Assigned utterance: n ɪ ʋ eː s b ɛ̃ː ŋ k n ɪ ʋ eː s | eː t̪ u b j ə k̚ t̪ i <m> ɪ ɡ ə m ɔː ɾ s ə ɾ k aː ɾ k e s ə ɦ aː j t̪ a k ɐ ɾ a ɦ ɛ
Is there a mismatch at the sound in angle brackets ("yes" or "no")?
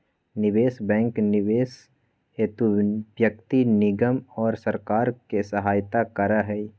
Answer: yes